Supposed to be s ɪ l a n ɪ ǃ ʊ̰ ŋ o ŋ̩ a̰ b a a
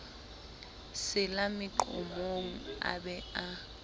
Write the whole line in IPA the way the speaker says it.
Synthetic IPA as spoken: s ɪ l a m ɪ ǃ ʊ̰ m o ŋ̩ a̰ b ɛ a